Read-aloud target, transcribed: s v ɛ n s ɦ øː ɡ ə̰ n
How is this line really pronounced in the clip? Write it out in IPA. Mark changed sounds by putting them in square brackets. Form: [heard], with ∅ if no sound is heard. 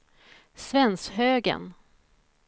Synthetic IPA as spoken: s v ɛ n s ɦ øː ɡ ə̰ n